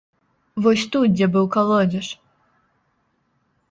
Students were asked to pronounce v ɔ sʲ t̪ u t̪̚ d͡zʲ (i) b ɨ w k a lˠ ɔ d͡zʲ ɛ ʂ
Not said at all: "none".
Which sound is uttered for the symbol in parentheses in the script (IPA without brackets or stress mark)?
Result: ɛ